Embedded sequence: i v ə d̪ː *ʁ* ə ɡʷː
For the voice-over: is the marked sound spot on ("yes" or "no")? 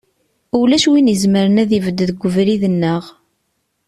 no